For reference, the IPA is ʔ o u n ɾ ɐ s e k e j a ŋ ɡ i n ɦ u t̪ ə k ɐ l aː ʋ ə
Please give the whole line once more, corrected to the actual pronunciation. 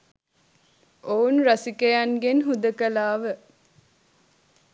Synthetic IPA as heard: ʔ o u n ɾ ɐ s i k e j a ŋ ɡ e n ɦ u d̪ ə k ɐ l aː ʋ ə